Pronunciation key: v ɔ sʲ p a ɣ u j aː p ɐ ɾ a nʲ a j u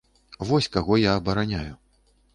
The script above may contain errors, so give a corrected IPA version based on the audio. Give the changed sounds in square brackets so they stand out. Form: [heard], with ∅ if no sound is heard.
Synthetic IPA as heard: v ɔ sʲ [k] a ɣ [ɔ] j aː [b] ɐ ɾ a nʲ a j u